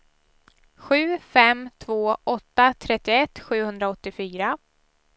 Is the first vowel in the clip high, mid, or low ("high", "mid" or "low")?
high